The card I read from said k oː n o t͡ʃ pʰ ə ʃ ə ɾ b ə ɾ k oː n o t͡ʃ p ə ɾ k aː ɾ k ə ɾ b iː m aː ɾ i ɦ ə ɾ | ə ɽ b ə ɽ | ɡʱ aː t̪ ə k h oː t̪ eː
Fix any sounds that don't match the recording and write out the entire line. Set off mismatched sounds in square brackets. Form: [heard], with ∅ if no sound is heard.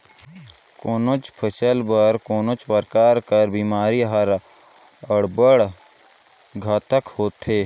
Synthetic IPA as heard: k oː n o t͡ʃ pʰ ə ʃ ə [l] b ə ɾ k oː n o t͡ʃ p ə ɾ k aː ɾ k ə ɾ b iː m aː ɾ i ɦ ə ɾ | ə ɽ b ə ɽ | ɡʱ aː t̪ ə k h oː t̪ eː